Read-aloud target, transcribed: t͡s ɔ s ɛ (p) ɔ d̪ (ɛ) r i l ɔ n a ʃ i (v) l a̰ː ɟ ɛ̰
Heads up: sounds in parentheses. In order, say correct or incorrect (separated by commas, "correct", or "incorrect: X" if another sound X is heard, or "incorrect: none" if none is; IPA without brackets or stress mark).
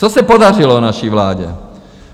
correct, incorrect: a, incorrect: ʋ